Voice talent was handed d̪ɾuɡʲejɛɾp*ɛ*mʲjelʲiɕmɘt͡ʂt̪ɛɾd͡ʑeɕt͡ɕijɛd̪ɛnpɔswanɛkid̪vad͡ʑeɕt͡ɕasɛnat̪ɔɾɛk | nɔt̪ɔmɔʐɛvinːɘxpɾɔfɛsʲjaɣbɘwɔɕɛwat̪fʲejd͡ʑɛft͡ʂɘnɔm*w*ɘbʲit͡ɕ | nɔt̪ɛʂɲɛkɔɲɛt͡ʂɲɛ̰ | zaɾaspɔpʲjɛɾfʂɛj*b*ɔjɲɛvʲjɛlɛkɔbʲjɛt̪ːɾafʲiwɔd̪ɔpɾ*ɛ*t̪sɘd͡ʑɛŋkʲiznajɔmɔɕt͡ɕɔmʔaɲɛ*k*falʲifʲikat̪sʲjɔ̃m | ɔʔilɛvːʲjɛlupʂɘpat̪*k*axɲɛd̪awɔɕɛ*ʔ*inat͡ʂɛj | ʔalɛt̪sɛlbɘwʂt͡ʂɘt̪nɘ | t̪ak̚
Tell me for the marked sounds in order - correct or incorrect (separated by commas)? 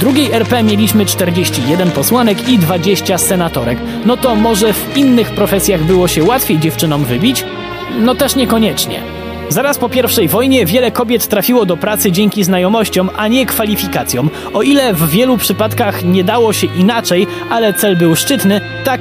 correct, incorrect, incorrect, incorrect, correct, correct, correct